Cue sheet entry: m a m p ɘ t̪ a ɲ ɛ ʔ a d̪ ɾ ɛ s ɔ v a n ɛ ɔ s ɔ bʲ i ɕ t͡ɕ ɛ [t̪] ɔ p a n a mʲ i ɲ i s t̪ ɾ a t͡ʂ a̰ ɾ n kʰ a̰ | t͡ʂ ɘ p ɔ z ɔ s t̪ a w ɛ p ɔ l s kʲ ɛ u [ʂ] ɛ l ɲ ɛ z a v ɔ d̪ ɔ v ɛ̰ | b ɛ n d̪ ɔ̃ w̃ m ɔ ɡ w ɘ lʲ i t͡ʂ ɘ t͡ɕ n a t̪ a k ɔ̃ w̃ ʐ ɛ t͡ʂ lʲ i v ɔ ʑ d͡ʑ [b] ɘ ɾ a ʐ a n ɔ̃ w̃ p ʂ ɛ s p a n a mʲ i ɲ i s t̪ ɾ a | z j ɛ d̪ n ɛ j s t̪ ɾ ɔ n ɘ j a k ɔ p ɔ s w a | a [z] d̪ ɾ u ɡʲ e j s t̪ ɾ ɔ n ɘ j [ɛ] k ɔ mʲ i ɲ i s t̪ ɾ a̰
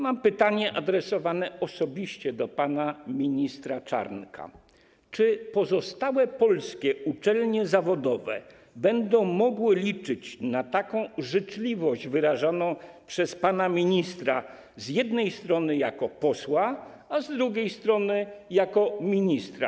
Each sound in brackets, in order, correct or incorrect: incorrect: d̪, incorrect: t͡ʂ, incorrect: v, correct, incorrect: a

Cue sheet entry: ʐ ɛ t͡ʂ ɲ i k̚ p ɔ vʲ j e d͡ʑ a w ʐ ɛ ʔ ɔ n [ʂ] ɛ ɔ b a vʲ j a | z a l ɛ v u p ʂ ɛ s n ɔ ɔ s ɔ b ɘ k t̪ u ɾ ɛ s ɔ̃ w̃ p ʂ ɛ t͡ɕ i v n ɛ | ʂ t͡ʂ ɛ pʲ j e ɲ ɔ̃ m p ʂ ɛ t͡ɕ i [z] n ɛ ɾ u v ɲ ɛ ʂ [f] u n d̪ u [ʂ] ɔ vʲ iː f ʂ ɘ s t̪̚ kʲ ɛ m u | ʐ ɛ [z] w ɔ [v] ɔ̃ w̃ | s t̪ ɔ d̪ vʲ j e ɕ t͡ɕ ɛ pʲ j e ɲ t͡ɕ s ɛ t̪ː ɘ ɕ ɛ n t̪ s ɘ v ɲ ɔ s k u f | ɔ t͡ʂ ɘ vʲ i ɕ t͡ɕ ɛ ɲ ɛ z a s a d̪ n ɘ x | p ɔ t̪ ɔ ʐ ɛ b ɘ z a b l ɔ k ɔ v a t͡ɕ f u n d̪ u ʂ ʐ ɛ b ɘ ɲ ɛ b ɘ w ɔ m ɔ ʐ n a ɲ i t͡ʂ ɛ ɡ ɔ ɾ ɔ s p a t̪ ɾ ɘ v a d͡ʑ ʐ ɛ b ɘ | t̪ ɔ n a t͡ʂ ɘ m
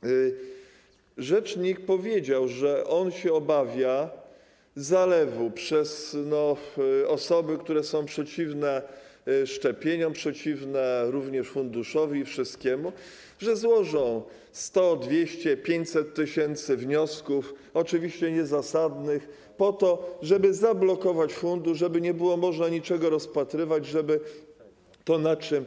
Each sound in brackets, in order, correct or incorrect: incorrect: ɕ, incorrect: v, correct, correct, correct, incorrect: ʐ

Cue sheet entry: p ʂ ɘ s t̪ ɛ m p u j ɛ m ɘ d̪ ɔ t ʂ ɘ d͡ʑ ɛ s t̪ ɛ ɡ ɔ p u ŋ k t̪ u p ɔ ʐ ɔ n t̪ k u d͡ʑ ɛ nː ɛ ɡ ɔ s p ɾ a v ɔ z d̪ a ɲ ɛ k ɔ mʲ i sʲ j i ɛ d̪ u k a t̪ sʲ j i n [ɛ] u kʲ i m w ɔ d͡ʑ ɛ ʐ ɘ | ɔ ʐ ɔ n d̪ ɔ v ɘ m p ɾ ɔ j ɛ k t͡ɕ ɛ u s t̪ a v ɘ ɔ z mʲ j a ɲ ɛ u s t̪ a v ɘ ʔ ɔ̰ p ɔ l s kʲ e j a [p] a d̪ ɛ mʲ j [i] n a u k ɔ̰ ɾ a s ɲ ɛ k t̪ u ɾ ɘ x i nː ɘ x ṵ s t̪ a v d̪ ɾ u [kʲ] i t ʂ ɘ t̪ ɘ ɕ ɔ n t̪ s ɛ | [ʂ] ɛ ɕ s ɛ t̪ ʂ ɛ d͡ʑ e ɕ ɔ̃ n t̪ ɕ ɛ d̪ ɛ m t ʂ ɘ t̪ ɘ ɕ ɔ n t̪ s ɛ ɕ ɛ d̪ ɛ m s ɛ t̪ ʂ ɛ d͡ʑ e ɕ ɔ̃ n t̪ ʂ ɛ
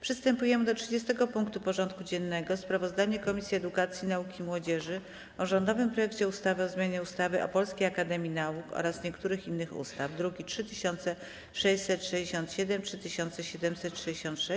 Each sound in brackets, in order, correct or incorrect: incorrect: a, incorrect: k, correct, incorrect: ɡʲ, correct

